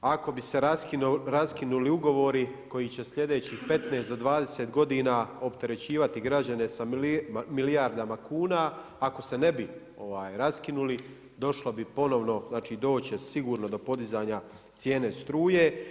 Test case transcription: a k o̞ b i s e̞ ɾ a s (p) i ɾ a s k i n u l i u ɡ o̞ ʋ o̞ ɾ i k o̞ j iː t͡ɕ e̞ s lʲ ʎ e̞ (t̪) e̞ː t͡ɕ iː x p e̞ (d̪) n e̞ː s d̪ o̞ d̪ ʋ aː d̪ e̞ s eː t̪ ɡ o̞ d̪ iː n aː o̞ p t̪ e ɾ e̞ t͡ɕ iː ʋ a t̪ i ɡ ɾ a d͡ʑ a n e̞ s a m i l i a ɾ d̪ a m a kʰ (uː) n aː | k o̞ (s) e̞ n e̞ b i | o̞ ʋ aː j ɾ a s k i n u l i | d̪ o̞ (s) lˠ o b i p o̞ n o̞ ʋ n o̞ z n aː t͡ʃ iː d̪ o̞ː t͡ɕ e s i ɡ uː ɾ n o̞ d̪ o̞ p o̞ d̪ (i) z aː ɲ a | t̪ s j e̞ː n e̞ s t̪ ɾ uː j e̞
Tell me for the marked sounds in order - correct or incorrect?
incorrect, incorrect, incorrect, correct, correct, incorrect, correct

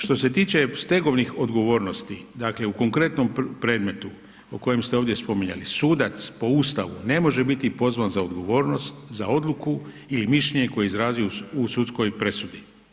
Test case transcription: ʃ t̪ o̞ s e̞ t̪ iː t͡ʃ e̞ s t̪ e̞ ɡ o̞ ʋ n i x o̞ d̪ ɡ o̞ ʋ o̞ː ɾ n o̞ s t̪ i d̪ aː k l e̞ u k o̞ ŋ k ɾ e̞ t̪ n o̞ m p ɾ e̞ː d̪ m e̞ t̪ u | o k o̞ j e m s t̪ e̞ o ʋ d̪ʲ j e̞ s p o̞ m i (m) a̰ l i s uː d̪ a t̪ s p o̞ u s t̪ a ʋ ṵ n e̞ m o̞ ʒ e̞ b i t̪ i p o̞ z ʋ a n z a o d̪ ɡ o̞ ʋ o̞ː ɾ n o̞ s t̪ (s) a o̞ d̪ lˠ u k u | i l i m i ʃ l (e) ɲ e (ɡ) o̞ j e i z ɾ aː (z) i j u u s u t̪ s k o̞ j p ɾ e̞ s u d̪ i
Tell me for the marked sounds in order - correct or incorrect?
incorrect, incorrect, correct, incorrect, correct

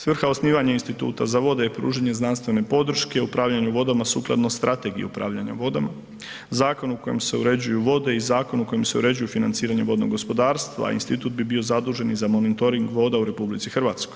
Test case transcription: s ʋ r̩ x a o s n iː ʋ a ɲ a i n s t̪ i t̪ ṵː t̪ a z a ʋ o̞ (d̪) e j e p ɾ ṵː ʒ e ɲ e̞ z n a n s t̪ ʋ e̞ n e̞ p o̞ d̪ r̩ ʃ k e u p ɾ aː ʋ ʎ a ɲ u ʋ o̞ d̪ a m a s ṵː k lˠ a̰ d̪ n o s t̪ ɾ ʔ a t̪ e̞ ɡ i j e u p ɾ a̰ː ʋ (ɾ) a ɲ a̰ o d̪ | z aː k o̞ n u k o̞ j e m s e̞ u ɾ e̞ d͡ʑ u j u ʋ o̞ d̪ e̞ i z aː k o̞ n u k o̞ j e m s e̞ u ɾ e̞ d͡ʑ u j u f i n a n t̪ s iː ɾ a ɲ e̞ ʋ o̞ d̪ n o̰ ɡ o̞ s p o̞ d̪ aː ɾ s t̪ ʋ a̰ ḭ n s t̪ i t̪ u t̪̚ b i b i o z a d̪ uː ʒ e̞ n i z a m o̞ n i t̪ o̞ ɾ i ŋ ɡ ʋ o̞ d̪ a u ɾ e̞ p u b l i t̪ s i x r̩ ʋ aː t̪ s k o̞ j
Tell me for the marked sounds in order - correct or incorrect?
correct, incorrect

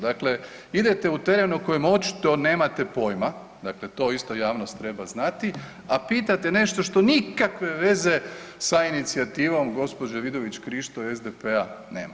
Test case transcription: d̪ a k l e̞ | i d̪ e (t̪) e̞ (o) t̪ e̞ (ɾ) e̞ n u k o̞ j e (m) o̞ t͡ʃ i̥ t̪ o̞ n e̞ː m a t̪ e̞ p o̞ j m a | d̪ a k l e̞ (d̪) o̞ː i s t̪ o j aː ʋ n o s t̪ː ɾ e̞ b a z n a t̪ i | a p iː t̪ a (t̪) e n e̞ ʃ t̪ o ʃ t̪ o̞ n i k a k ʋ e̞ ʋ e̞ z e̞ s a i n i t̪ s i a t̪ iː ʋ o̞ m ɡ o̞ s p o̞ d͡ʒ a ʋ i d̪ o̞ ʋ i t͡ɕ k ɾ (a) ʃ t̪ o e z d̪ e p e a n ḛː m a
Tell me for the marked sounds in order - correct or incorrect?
correct, incorrect, correct, correct, incorrect, correct, incorrect

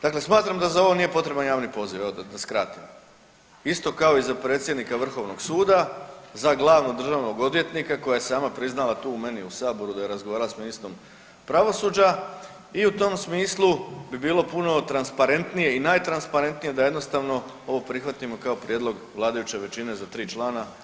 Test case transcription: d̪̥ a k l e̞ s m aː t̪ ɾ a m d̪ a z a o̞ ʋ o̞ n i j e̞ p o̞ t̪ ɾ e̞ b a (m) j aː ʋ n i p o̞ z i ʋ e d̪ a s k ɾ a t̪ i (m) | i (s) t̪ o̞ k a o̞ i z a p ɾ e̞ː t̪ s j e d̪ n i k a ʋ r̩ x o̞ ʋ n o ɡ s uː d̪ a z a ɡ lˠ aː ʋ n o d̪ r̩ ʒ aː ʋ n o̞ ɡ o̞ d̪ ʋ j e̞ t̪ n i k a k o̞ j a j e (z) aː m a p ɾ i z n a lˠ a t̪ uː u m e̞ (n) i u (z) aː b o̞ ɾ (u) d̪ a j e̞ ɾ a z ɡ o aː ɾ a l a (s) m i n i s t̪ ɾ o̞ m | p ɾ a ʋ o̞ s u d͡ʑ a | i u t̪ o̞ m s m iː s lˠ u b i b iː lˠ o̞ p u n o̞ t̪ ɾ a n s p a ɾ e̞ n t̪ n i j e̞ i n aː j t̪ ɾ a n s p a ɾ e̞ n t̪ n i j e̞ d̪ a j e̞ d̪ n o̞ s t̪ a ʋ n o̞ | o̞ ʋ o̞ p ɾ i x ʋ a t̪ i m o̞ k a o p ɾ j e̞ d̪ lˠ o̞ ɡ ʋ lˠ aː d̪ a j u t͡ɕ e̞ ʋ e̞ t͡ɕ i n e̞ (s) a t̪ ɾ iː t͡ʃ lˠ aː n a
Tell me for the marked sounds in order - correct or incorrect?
incorrect, correct, correct, incorrect, correct, incorrect, correct, correct, incorrect

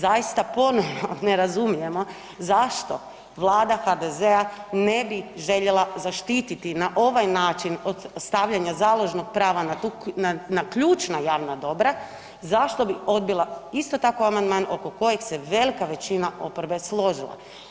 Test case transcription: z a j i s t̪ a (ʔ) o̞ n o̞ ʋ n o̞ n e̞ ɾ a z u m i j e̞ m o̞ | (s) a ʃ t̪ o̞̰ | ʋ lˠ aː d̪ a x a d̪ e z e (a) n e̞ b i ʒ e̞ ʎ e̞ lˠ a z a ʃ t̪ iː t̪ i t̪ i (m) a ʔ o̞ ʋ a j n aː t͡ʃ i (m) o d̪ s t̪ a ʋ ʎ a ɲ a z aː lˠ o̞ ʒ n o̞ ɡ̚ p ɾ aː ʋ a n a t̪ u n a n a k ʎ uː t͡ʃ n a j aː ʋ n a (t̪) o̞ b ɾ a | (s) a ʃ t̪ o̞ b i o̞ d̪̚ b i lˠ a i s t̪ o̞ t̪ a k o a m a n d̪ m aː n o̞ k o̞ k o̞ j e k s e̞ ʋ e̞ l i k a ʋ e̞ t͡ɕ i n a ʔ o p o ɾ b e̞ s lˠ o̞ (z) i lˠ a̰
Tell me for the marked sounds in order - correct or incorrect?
incorrect, incorrect, correct, incorrect, incorrect, incorrect, incorrect, incorrect

